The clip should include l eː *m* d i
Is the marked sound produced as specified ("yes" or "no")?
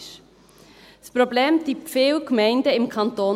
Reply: yes